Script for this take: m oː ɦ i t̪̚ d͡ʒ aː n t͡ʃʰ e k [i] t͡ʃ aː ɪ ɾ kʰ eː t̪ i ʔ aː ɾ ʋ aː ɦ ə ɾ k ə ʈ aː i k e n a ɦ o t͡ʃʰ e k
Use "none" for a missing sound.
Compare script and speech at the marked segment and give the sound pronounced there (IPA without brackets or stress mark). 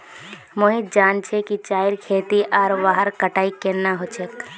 i